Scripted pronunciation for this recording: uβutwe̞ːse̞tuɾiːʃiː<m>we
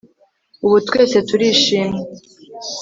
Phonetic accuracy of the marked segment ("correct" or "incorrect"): correct